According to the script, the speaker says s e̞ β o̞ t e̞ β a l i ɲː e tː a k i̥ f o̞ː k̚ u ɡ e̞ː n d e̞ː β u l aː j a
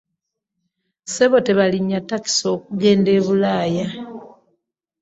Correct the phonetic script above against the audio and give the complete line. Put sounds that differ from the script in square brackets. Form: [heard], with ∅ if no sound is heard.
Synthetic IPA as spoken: s e̞ β o̞ t e̞ β a l i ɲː [a] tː a k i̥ [s] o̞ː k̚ u ɡ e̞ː n d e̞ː β u l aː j a